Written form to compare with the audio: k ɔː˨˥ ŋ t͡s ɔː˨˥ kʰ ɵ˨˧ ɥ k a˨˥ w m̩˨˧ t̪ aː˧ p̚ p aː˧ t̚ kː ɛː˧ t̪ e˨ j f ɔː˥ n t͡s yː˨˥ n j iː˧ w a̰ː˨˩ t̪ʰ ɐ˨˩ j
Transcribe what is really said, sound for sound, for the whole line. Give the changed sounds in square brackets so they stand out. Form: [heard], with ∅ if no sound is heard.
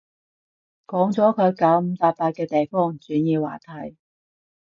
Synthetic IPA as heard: k ɔː˨˥ ŋ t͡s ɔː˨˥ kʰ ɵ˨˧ ɥ k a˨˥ w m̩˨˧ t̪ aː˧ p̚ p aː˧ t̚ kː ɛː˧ t̪ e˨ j f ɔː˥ [ŋ] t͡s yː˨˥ n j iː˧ w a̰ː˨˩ t̪ʰ ɐ˨˩ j